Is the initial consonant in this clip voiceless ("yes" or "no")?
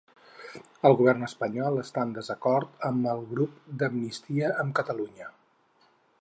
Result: no